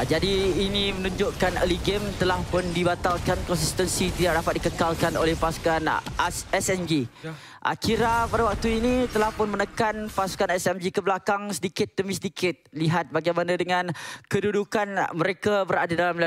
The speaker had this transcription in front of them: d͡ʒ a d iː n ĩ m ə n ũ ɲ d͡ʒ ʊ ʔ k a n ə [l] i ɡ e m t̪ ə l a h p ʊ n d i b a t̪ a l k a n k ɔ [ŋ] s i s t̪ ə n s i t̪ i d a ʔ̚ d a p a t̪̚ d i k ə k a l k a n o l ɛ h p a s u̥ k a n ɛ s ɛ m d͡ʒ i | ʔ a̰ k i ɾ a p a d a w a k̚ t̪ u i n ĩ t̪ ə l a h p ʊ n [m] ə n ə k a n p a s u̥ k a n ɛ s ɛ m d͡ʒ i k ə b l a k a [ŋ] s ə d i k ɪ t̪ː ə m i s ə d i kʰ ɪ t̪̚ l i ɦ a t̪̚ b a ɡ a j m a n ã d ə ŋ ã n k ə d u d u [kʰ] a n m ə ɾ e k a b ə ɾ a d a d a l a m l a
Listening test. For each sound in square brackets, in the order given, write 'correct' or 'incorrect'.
correct, incorrect, correct, correct, incorrect

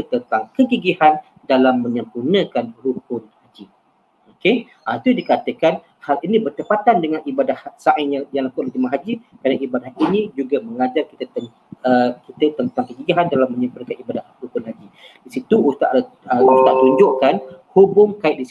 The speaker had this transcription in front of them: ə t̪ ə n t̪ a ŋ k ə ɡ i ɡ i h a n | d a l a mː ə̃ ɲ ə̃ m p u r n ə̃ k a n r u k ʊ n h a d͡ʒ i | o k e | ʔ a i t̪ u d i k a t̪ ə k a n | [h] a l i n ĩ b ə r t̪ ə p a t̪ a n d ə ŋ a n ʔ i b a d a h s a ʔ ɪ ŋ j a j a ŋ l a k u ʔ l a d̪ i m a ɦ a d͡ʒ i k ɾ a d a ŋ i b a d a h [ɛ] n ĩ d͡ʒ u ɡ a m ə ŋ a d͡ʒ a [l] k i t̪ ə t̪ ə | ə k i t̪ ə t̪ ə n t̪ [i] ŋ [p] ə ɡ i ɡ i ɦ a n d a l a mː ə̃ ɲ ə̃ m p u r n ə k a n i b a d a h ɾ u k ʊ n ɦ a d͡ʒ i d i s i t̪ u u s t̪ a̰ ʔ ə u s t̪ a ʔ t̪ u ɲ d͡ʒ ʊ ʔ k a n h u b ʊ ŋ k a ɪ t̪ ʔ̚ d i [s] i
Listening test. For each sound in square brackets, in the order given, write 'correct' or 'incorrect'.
correct, incorrect, incorrect, incorrect, incorrect, correct

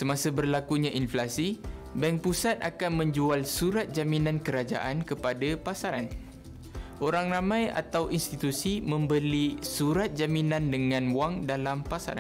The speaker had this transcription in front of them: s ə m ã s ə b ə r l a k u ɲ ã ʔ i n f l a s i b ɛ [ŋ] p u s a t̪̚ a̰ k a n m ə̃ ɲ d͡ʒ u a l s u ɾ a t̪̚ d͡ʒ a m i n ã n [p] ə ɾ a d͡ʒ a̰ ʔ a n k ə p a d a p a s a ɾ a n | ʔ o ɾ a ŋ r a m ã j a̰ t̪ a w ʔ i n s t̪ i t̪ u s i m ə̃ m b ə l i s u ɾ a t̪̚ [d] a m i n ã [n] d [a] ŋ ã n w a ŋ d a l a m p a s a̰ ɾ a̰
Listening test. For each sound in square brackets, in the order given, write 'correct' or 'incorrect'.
correct, incorrect, incorrect, correct, incorrect

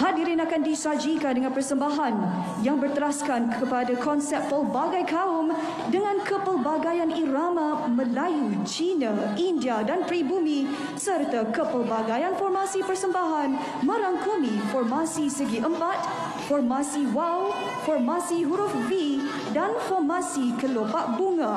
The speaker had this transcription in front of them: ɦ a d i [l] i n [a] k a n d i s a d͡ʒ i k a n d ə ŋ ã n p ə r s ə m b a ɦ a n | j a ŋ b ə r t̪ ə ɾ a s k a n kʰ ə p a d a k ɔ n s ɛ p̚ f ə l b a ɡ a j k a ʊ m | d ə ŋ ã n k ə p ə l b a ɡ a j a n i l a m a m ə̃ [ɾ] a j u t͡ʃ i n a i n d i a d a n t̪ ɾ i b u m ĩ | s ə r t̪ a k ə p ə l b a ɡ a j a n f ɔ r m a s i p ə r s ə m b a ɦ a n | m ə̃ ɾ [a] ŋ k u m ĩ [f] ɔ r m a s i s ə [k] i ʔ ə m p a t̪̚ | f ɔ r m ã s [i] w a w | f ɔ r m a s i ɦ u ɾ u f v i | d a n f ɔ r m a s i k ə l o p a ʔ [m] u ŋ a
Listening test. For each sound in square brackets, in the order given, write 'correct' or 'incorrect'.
incorrect, correct, incorrect, correct, correct, incorrect, correct, incorrect

